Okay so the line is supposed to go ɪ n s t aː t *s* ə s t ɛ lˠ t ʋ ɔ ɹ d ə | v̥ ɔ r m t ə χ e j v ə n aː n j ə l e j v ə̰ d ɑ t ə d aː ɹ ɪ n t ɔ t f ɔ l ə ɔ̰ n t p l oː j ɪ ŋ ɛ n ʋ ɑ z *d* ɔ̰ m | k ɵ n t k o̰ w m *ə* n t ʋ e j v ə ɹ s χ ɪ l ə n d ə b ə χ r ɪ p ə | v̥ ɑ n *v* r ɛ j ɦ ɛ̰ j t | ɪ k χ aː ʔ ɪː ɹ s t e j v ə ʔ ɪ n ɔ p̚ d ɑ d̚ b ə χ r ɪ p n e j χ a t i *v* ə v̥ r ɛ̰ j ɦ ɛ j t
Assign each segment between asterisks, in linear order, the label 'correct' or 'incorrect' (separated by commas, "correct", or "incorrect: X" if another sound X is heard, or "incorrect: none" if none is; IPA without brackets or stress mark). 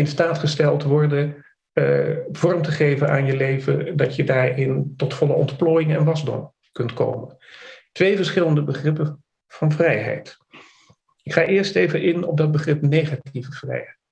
incorrect: χ, correct, correct, correct, correct